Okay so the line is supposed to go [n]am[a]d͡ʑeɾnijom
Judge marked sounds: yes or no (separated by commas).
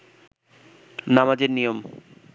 yes, yes